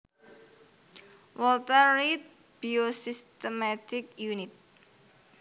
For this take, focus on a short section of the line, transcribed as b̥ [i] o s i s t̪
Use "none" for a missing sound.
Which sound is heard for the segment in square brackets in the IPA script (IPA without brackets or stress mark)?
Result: i